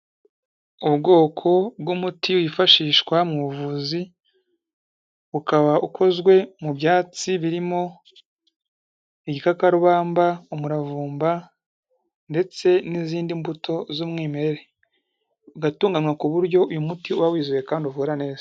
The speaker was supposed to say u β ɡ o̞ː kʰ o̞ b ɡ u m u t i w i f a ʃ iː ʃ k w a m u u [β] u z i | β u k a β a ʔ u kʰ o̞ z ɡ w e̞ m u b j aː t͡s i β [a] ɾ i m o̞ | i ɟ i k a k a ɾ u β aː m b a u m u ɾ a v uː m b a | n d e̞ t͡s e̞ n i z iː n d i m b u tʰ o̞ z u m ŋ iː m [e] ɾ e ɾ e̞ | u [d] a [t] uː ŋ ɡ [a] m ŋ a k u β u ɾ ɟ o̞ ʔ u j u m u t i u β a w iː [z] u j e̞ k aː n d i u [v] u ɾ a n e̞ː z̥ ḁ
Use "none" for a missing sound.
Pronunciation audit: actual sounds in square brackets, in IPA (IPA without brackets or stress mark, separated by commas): v, i, e, ɡ, t, a, z, v